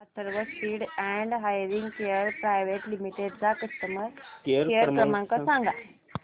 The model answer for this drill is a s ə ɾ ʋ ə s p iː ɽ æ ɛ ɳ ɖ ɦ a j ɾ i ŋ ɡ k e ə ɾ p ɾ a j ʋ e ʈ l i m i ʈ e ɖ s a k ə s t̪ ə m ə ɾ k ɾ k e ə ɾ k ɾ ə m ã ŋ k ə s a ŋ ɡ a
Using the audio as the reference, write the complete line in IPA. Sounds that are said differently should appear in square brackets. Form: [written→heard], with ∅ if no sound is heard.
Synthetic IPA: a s ə ɾ ʋ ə s p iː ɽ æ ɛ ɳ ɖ ɦ a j ɾ i ŋ ɡ k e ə ɾ p ɾ a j ʋ e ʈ l i m i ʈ e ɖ [s→t͡s] a k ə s t̪ ə m ə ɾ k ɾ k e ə ɾ k ɾ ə m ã ŋ k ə s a ŋ ɡ a